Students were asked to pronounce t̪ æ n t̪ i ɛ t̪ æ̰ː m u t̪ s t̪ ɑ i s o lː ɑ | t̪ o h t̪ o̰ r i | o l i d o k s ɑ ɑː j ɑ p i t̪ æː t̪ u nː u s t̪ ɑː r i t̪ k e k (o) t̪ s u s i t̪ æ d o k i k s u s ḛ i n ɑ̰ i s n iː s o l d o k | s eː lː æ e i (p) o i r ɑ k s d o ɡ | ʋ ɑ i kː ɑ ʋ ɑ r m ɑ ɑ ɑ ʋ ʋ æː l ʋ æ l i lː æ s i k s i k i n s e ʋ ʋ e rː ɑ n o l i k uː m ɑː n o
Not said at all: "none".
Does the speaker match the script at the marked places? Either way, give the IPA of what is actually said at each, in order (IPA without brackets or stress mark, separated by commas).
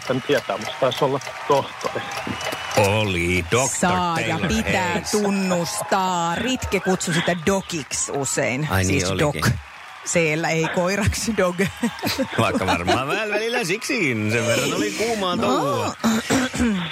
u, k